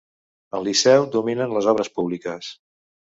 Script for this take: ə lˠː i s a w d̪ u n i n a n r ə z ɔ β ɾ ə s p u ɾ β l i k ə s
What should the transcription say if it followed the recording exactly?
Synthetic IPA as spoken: ə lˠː i s ɛ w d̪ u m i n ə n l ə z ɔ β ɾ ə s p u β l i k ə s